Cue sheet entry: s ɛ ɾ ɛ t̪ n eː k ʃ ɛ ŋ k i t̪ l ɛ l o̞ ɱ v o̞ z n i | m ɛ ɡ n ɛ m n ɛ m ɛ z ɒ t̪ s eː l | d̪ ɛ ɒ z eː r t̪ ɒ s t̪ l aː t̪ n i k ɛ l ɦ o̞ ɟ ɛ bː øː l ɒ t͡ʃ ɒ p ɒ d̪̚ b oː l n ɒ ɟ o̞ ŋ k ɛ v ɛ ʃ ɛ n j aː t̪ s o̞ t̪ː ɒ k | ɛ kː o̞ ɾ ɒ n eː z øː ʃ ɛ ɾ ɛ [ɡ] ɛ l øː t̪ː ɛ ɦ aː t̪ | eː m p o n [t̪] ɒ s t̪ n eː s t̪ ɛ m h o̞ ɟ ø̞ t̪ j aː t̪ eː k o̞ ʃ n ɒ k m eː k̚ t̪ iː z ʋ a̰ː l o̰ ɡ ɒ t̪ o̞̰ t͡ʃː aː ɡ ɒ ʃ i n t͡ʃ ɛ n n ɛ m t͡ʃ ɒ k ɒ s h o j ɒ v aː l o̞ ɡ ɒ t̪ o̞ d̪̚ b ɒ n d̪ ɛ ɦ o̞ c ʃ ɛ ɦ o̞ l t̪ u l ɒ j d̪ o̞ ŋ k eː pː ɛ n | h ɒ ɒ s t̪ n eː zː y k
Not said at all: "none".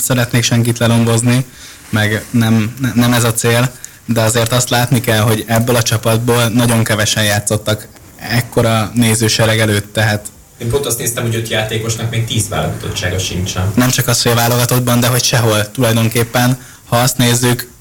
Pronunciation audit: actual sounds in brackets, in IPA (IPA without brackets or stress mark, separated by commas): ɡ, t̪